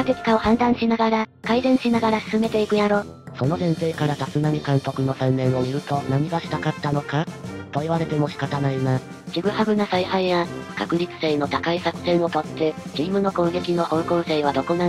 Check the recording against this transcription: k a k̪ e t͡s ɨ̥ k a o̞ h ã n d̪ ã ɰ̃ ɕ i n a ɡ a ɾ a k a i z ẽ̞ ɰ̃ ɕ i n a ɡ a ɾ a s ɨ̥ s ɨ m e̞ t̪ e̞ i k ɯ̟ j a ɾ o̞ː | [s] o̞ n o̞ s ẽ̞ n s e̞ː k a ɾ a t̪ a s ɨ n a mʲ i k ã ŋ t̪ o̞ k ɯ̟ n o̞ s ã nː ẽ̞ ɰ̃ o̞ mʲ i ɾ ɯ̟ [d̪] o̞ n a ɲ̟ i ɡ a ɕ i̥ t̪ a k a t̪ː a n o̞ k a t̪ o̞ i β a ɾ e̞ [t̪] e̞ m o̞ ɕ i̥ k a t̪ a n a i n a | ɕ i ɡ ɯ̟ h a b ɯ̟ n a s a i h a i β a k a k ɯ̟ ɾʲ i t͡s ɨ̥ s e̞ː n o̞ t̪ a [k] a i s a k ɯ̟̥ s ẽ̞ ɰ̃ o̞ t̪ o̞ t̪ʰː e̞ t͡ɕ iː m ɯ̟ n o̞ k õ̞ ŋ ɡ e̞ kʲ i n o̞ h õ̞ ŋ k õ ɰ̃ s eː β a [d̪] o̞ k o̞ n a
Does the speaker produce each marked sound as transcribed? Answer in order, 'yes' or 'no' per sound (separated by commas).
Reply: yes, no, yes, yes, yes